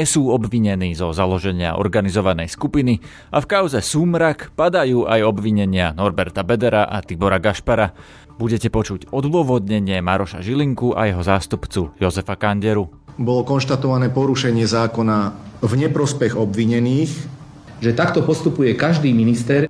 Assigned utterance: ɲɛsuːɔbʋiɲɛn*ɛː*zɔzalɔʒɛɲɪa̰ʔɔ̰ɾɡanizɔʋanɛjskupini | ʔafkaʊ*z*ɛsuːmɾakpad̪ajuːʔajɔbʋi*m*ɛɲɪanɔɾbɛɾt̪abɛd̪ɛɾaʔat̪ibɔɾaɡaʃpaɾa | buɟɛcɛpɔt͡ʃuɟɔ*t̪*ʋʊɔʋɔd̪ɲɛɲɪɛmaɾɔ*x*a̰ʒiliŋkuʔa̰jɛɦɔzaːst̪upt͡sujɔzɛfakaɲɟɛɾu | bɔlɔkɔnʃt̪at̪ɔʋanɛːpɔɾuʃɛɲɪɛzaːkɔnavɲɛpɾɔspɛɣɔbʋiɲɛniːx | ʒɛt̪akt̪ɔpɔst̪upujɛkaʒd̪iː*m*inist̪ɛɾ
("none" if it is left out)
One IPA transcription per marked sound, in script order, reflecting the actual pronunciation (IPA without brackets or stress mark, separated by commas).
iː, z, ɲ, d̪, ʃ, m